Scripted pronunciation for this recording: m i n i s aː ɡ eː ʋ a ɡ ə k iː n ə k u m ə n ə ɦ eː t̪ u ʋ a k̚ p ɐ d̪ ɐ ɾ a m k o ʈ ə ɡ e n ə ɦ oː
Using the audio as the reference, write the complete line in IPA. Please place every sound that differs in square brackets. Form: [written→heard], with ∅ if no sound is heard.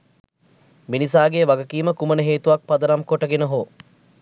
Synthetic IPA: m i n i s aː ɡ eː ʋ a ɡ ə k iː [n→m] ə k u m ə n ə ɦ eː t̪ u ʋ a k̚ p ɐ d̪ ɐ ɾ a m k o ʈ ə ɡ e n ə ɦ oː